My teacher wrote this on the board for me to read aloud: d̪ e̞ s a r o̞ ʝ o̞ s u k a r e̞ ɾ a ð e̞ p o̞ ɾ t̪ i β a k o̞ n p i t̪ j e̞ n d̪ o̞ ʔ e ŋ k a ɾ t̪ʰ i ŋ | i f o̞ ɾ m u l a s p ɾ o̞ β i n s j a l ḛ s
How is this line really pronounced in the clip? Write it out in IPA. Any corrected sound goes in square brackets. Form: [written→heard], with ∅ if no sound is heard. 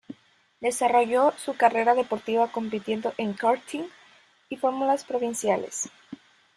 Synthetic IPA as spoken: d̪ e̞ s a r o̞ ʝ o̞ s u k a r e̞ ɾ a ð e̞ p o̞ ɾ t̪ i β a k o̞ [n→m] p i t̪ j e̞ n d̪ o̞ ʔ e ŋ k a ɾ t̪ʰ i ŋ | i f o̞ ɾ m u l a s p ɾ o̞ β i n s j a l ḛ s